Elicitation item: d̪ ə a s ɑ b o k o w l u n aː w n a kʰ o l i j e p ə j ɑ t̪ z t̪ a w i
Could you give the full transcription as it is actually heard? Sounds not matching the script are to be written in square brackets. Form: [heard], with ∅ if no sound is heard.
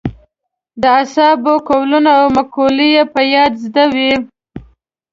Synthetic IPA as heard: d̪ ə a s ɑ b o k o w l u n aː w [m] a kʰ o l i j e p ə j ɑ [d̪] z [d̪] a w i